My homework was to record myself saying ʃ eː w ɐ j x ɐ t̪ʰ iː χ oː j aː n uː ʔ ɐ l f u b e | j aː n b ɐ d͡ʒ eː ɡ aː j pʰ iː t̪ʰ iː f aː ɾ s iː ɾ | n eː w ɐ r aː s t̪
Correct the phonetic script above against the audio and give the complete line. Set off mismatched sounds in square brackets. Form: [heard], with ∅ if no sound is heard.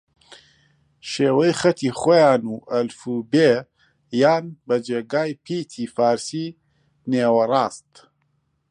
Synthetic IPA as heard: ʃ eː w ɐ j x ɐ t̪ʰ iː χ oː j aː n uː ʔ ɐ l f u b e | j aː n b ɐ d͡ʒ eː ɡ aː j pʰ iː t̪ʰ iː f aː ɾ s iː [∅] | n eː w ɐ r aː s t̪